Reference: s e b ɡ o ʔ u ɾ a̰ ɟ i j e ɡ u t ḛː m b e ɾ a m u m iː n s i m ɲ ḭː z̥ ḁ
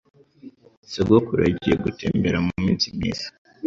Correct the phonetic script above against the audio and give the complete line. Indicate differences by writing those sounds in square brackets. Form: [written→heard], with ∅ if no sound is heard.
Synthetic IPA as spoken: s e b ɡ o [ʔ→k] u ɾ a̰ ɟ i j e ɡ u t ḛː m b e ɾ a m u m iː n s i m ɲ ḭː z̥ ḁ